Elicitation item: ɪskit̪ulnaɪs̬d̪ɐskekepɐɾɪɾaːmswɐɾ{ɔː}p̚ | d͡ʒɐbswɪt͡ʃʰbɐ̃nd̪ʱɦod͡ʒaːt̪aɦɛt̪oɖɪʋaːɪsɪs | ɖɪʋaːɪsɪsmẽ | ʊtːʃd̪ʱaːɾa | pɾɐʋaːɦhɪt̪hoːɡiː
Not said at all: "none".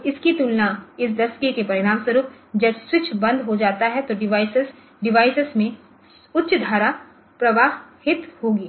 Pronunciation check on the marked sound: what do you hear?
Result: uː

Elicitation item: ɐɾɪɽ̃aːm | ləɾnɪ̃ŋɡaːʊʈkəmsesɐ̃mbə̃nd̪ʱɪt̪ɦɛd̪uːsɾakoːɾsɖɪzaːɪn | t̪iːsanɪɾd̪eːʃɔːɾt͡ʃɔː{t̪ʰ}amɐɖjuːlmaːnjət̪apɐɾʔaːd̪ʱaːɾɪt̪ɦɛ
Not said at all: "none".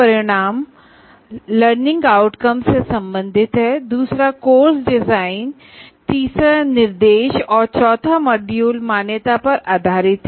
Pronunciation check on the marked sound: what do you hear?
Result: t̪ʰ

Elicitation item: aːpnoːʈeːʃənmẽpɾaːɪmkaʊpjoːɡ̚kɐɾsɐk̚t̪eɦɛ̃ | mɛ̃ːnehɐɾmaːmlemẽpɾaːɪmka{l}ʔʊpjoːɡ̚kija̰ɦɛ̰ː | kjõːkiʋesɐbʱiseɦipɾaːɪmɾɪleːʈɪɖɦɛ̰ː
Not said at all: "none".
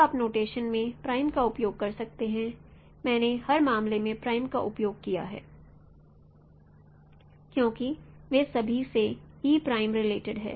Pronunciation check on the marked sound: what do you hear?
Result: none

